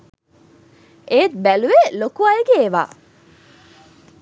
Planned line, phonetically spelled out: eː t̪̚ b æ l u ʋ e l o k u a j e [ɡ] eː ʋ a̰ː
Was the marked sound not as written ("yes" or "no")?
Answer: no